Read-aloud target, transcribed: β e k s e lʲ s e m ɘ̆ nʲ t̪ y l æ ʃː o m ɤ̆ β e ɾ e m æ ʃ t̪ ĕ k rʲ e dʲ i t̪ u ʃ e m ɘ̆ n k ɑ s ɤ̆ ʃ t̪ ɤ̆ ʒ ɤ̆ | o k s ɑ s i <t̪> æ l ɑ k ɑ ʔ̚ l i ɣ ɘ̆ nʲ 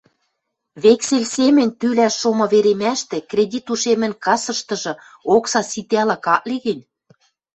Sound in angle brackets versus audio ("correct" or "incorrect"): correct